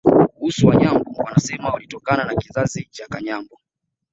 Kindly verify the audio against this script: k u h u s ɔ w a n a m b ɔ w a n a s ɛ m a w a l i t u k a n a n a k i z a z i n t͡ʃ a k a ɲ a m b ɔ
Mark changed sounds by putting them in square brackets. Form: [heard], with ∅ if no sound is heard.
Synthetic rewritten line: k u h u s [u] w a [ɲ] a m b ɔ w a n a s ɛ m a w a l i t [ɔ] k a n a n a k i z a z i [∅] t͡ʃ a k a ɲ a m b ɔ